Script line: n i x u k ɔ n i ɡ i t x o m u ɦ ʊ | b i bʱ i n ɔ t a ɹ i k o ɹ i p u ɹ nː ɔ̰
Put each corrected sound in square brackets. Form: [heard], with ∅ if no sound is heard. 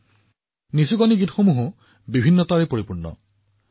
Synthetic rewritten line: n i [s] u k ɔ n i ɡ i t x o m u ɦ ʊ | b i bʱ i [nː] ɔ t a ɹ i [p] o ɹ i p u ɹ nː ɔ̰

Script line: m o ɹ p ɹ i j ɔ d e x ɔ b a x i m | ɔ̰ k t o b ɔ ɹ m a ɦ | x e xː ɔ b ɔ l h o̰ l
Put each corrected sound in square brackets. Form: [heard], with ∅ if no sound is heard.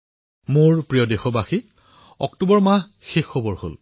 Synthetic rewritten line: m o ɹ p ɹ i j ɔ d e x ɔ b a x i [∅] | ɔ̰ k t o b ɔ ɹ m a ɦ | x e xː ɔ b ɔ [ɹ] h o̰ l

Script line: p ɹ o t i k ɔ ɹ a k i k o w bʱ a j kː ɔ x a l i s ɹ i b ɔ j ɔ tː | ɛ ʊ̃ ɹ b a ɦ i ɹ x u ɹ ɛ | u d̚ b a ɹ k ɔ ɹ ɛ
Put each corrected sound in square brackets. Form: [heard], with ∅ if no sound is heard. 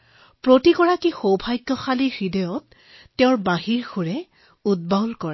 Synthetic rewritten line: p ɹ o t i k ɔ ɹ a k i [x] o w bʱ a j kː ɔ x a l i [x] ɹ i [d] ɔ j ɔ tː | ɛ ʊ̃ ɹ b a ɦ i ɹ x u ɹ ɛ | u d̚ b a [l] k ɔ ɹ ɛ

